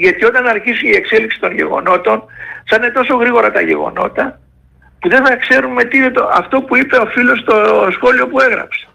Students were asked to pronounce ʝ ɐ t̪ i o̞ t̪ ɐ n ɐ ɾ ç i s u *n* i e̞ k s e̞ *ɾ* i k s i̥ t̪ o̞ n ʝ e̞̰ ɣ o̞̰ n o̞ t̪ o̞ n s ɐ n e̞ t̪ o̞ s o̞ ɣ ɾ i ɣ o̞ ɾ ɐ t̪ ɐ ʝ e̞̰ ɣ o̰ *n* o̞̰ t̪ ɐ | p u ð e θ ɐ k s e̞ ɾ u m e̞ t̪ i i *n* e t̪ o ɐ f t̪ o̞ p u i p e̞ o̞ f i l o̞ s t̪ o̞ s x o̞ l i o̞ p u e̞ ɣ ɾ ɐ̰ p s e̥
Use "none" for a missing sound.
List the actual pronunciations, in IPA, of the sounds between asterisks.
n, l, n, n

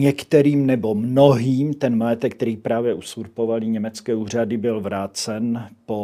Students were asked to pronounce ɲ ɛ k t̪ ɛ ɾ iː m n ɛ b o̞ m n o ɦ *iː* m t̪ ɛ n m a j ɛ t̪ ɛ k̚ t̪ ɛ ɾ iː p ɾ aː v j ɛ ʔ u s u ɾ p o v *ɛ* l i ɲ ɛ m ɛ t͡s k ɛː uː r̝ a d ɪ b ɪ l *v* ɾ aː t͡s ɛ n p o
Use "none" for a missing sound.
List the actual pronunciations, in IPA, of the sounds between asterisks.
iː, a, v

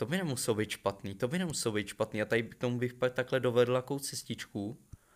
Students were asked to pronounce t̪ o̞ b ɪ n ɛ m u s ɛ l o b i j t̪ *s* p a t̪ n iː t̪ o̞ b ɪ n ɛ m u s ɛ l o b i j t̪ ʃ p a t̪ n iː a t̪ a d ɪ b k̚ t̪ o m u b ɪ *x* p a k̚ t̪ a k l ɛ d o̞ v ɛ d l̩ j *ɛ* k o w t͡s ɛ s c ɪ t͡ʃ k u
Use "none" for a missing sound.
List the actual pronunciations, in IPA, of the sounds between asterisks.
ʃ, x, a

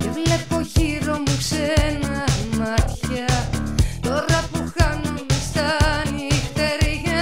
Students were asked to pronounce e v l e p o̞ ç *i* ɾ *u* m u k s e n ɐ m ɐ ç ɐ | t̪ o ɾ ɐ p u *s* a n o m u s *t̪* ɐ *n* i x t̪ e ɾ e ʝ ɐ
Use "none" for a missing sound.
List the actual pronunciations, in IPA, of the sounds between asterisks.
i, o, x, t̪, n

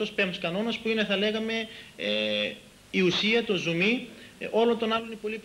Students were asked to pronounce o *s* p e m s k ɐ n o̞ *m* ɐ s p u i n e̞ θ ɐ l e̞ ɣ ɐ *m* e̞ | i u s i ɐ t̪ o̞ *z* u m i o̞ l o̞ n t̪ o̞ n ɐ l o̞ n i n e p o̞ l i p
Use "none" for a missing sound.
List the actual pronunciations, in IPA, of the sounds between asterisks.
s, n, m, z

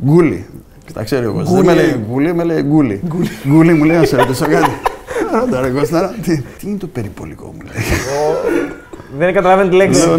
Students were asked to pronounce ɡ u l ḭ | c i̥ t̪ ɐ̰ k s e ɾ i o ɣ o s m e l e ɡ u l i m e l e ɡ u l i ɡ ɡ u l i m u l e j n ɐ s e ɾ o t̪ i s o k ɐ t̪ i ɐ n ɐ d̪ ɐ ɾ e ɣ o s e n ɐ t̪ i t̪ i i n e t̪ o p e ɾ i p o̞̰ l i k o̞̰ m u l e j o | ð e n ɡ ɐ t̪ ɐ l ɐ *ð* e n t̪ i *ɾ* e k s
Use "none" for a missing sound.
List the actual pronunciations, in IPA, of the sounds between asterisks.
v, l

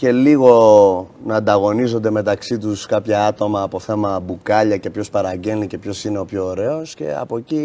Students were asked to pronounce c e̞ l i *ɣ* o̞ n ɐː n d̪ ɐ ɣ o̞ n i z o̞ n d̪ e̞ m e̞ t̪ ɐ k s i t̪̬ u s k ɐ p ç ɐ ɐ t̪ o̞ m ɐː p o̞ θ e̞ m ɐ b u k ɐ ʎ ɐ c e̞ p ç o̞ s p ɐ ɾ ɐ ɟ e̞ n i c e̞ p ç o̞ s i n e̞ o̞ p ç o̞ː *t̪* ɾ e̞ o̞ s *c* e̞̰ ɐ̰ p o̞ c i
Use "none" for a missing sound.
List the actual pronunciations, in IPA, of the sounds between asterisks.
ɣ, none, c

